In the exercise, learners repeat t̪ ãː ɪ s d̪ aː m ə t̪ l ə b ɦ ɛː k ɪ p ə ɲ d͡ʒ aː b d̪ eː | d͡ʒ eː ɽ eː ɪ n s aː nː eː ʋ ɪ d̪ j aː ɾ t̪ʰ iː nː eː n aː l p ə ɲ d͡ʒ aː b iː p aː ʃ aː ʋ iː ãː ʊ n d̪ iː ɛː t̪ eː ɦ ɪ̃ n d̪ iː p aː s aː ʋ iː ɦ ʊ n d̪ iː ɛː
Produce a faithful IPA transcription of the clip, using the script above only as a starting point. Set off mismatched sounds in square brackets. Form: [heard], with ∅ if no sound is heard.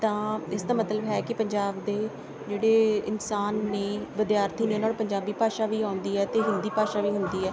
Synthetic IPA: t̪ ãː ɪ s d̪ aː m ə t̪ l ə b ɦ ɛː k ɪ p ə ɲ d͡ʒ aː b d̪ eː | d͡ʒ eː ɽ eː ɪ n s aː nː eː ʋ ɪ d̪ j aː ɾ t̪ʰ iː [n] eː n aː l p ə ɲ d͡ʒ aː b iː p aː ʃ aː ʋ iː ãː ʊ n d̪ iː ɛː t̪ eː ɦ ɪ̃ n d̪ iː p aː [ʃ] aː ʋ iː ɦ ʊ n d̪ iː ɛː